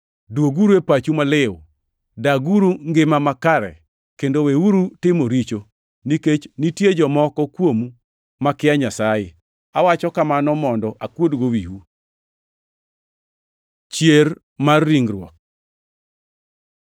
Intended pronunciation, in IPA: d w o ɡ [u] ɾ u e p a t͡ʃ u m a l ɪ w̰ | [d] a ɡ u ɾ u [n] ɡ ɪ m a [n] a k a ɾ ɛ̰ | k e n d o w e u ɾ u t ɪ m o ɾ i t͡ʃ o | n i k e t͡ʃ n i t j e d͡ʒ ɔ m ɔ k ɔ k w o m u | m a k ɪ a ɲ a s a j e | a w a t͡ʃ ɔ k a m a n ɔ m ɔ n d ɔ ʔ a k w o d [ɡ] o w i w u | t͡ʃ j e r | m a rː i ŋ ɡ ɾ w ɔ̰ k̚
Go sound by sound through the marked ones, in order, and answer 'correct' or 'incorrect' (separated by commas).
correct, correct, incorrect, incorrect, correct